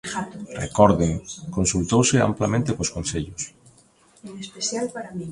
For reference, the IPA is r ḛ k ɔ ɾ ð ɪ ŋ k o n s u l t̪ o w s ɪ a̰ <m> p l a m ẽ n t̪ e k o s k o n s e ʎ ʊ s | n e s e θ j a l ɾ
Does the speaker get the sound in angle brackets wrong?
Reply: no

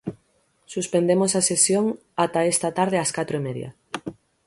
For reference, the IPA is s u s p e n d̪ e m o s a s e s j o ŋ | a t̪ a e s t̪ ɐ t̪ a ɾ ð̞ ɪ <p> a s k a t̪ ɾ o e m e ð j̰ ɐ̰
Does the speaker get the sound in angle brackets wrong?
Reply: yes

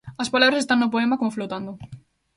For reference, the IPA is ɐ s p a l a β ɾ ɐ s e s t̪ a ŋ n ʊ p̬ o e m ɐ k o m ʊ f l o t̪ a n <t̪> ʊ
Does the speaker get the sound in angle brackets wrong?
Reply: yes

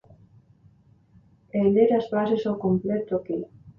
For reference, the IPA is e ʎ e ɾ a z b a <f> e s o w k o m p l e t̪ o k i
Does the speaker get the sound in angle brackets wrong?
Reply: yes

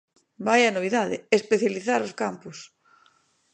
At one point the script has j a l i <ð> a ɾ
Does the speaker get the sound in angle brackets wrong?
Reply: yes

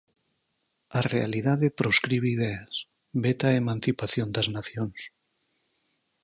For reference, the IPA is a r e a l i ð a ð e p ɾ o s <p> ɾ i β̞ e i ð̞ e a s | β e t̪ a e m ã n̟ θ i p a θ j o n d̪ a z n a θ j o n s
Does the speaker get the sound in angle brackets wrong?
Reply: yes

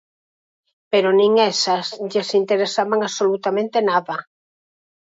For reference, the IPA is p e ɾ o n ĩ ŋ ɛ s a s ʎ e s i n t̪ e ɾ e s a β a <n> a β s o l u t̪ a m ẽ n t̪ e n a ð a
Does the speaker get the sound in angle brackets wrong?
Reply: yes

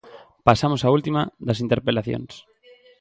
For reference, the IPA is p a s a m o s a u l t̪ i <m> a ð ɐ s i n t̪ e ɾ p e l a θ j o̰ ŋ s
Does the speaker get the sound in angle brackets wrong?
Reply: no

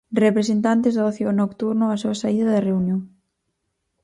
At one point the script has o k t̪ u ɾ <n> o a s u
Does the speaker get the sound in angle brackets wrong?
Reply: no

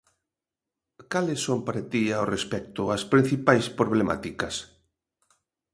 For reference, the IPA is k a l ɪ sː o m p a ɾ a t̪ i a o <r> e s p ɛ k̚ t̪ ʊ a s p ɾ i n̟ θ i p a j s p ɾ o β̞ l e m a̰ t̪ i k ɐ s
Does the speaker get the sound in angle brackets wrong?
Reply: no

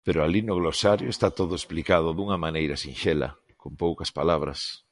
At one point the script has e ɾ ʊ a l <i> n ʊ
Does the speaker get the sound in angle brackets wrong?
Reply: no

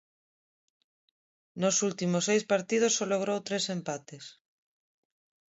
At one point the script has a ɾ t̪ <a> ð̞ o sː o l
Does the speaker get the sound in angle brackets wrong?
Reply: yes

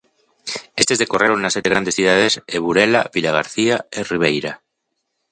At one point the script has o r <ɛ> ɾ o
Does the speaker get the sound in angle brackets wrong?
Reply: yes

